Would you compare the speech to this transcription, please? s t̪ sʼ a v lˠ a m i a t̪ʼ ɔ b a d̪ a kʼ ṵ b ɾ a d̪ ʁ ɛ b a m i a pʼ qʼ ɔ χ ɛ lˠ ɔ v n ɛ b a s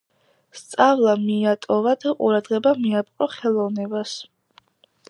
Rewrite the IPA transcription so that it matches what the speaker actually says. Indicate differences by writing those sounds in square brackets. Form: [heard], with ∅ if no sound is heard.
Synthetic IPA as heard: s t̪ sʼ a v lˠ a m i a t̪ʼ ɔ [v] a d̪ a [qʼ] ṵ [∅] ɾ a d̪ ʁ ɛ b a m i a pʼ qʼ ɔ χ ɛ lˠ ɔ v n ɛ b a s

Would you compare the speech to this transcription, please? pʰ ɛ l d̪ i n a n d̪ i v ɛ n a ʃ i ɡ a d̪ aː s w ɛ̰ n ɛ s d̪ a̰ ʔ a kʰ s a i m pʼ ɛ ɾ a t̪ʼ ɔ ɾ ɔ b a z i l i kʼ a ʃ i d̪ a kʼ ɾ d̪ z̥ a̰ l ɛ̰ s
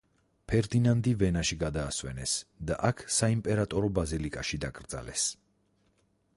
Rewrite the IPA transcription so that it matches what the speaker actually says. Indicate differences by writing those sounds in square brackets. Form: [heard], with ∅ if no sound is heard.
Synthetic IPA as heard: pʰ ɛ [ɾ] d̪ i n a n d̪ i v ɛ n a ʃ i ɡ a d̪ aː s w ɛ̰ n ɛ s d̪ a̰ ʔ a kʰ s a i m pʼ ɛ ɾ a t̪ʼ ɔ ɾ ɔ b a z i l i kʼ a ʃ i d̪ a kʼ ɾ d̪ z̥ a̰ l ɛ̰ s

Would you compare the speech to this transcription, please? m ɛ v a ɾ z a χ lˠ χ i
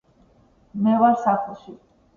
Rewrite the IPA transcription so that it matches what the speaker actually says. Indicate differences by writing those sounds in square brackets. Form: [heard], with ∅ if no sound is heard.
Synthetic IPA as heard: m ɛ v a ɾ [s] a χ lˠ [ʃ] i

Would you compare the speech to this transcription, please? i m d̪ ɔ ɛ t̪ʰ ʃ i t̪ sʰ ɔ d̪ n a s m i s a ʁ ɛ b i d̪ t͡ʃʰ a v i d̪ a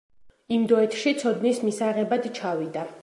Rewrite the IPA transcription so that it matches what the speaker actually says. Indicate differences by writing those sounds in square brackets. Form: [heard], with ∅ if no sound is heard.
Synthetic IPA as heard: i m d̪ ɔ ɛ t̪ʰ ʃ i t̪ sʰ ɔ d̪ n [i] s m i s a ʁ ɛ b [a] d̪ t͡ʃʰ a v i d̪ a

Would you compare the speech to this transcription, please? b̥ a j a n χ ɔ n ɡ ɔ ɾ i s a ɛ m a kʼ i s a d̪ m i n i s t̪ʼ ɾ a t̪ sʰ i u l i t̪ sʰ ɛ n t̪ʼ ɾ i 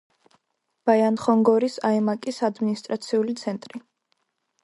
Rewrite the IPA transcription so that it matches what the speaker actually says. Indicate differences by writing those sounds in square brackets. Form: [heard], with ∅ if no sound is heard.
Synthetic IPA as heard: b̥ a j a n χ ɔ [ŋ] ɡ ɔ ɾ i s a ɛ m a kʼ i s a d̪ m i n i s t̪ʼ ɾ a t̪ sʰ i u l i t̪ sʰ ɛ n t̪ʼ ɾ i

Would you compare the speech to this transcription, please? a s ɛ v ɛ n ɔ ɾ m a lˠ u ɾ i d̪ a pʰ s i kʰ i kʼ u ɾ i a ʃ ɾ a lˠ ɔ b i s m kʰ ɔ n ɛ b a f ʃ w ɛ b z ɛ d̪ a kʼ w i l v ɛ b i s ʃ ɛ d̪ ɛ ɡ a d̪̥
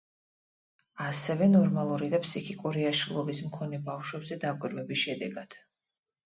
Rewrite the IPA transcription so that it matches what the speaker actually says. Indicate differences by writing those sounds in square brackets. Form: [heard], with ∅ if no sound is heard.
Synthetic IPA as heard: a s ɛ v ɛ n ɔ ɾ m a lˠ u ɾ i d̪ a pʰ s i kʰ i kʼ u ɾ i a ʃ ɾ [i] lˠ ɔ b i s m kʰ ɔ n ɛ b a f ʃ w ɛ b z ɛ d̪ a kʼ w i [ɾ] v ɛ b i s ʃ ɛ d̪ ɛ ɡ a d̪̥

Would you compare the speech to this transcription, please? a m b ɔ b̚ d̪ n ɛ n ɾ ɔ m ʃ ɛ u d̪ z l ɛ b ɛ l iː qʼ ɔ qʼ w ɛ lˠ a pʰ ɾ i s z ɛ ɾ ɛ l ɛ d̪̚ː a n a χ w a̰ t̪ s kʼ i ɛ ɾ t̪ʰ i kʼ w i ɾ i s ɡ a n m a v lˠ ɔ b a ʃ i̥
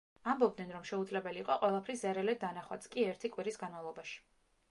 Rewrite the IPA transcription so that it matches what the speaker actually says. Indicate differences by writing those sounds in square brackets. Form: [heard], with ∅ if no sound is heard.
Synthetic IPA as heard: a m b ɔ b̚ d̪ n ɛ n ɾ ɔ m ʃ ɛ u d̪ z l ɛ b ɛ l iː qʼ ɔ qʼ w ɛ lˠ a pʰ ɾ i s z ɛ ɾ ɛ l ɛ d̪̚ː a n a χ w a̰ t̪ s kʼ i ɛ ɾ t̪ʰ i kʼ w i ɾ i s ɡ a n m a v lˠ ɔ b a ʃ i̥

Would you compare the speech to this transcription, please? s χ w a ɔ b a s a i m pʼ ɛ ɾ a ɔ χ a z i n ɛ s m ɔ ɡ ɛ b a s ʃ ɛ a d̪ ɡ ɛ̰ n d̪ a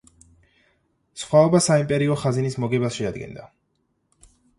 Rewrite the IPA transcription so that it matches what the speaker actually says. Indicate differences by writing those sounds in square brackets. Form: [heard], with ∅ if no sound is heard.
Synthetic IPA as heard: s χ w a ɔ b a s a i m pʼ ɛ ɾ [i] ɔ χ a z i n [i] s m ɔ ɡ ɛ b a s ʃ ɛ a d̪ ɡ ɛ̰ n d̪ a

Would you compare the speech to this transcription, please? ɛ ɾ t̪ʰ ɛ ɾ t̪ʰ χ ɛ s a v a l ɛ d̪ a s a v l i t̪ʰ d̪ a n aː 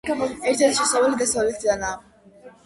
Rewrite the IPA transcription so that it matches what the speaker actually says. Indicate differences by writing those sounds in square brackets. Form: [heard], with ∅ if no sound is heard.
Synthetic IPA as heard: ɛ ɾ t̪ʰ ɛ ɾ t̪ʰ [ʃ] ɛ s a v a l [i] d̪ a s a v l i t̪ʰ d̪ a n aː

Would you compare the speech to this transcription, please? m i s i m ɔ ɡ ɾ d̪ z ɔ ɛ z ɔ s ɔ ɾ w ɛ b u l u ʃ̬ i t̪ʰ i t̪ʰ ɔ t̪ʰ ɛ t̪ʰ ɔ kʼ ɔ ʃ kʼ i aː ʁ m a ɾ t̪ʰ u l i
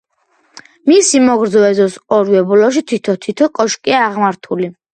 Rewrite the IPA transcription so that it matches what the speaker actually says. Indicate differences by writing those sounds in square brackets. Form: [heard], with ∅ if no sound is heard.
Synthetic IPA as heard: m i s i m ɔ ɡ ɾ d̪ z ɔ ɛ z ɔ s ɔ ɾ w ɛ b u l [ɔ] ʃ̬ i t̪ʰ i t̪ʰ ɔ t̪ʰ [i] t̪ʰ ɔ kʼ ɔ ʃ kʼ i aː ʁ m a ɾ t̪ʰ u l i

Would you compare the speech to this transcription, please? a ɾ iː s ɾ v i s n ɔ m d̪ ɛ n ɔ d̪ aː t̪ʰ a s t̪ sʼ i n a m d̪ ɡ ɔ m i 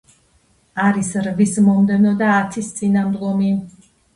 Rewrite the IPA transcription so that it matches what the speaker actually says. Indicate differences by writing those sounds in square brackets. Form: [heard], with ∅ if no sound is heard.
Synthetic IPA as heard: a ɾ [i] s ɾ v i s [m] ɔ m d̪ ɛ n ɔ d̪ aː t̪ʰ [i] s t̪ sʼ i n a m d̪ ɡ ɔ m i

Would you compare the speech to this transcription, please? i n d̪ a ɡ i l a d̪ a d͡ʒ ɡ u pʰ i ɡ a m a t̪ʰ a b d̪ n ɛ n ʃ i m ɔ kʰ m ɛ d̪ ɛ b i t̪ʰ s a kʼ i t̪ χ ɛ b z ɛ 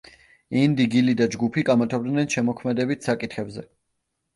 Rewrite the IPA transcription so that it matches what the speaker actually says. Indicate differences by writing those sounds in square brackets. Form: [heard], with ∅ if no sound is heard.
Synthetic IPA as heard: i n d̪ [i] ɡ i l [i] d̪ a d͡ʒ ɡ u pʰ i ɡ a m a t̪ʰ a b d̪ n ɛ n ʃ [ɛ] m ɔ kʰ m ɛ d̪ ɛ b i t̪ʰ s a kʼ i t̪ χ ɛ b z ɛ

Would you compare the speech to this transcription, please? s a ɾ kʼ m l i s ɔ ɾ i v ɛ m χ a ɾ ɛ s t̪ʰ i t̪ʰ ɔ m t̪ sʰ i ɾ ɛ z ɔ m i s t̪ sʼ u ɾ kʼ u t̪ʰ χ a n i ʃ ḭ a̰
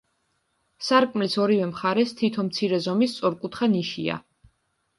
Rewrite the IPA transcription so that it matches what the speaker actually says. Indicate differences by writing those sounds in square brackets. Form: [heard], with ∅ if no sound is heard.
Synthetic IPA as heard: s a ɾ kʼ m l i s ɔ ɾ i v ɛ m χ a ɾ ɛ s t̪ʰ i t̪ʰ ɔ m t̪ sʰ i ɾ ɛ z ɔ m i s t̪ sʼ [ɔ] ɾ kʼ u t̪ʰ χ a n i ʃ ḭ a̰

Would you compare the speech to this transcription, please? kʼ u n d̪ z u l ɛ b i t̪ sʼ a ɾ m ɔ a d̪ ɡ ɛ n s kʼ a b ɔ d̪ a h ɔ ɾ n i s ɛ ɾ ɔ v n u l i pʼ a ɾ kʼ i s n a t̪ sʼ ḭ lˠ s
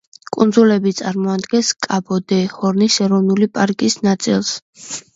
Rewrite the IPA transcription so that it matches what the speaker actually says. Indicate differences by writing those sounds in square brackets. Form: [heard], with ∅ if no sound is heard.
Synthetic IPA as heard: kʼ u n d̪ z u l ɛ b i t̪ sʼ a ɾ m ɔ a d̪ ɡ ɛ n s kʼ a b ɔ d̪ [ɛ] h ɔ ɾ n i s ɛ ɾ ɔ v n u l i pʼ a ɾ kʼ i s n a t̪ sʼ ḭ lˠ s

